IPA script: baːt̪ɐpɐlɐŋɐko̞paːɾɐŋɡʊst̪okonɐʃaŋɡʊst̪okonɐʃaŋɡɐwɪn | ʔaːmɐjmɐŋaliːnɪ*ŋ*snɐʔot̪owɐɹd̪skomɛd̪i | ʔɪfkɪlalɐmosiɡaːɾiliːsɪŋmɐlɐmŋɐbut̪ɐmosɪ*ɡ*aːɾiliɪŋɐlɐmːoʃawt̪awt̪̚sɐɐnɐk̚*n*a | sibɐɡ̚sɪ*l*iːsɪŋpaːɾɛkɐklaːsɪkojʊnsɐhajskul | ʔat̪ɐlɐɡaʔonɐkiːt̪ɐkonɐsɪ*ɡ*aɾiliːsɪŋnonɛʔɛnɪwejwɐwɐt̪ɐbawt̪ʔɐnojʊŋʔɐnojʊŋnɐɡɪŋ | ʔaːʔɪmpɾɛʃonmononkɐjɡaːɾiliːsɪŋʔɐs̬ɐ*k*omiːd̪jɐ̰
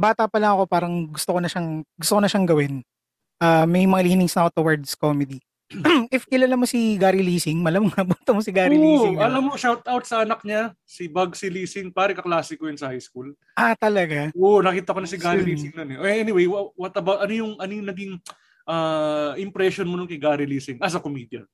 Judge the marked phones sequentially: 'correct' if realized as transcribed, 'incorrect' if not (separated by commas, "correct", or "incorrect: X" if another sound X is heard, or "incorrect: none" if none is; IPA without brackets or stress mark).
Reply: correct, correct, incorrect: ɲ, correct, correct, correct